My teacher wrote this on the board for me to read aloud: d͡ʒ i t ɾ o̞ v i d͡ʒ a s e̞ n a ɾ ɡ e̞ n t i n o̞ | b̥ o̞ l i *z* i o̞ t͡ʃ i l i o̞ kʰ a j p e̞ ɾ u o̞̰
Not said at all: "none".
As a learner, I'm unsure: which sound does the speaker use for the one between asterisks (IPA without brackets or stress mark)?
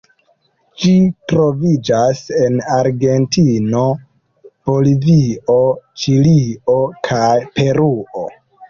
v